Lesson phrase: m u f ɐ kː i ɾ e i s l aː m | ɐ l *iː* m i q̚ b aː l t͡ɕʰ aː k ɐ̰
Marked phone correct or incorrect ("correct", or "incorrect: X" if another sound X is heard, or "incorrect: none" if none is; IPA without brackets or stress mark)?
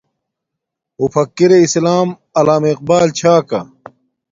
incorrect: aː